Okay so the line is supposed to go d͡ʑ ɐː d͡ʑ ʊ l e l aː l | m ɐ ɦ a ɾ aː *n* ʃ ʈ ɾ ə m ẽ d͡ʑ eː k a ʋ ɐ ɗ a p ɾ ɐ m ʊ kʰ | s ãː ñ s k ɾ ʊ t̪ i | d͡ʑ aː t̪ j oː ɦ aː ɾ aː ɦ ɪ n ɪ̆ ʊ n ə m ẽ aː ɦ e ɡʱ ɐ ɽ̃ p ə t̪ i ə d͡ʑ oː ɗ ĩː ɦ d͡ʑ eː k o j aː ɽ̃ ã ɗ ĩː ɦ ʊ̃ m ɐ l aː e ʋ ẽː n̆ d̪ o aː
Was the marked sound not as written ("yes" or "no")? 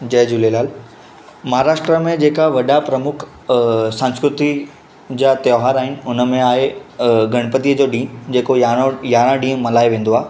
yes